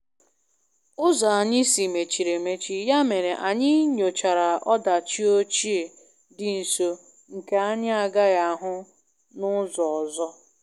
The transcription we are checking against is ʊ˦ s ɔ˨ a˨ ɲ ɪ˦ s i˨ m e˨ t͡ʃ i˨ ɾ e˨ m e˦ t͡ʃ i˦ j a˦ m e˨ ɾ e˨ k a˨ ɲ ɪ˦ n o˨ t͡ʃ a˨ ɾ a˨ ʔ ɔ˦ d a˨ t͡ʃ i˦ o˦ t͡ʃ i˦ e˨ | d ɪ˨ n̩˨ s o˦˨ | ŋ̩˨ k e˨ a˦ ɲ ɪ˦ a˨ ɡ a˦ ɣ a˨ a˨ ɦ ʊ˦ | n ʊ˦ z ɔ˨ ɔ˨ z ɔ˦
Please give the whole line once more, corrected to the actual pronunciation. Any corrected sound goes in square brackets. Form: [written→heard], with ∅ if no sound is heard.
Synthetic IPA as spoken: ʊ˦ [s→z] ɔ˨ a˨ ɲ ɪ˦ s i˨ m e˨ t͡ʃ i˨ ɾ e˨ m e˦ t͡ʃ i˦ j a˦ m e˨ ɾ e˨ [k→ʔ] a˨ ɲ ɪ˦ [n→ɲ] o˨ t͡ʃ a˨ ɾ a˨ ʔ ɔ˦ d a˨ t͡ʃ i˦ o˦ t͡ʃ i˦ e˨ | d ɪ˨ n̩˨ s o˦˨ | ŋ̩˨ k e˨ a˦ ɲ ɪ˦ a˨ ɡ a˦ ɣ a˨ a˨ ɦ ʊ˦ | n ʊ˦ z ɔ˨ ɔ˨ z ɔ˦